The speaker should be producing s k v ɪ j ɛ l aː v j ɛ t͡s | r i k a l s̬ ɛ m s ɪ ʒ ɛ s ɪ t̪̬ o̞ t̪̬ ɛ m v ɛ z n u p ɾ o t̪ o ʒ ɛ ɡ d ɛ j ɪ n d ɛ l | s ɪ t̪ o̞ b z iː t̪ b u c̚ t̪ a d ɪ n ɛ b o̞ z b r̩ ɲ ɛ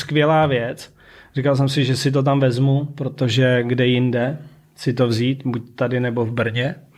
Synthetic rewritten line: s k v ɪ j ɛ l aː v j ɛ t͡s | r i k a l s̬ ɛ m s ɪ ʒ ɛ s ɪ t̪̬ o̞ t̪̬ a m v ɛ z m u p ɾ o t̪ o ʒ ɛ ɡ d ɛ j ɪ n d ɛ | s ɪ t̪ o̞ v z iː t̪ b u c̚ t̪ a d ɪ n ɛ b o̞ v b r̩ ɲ ɛ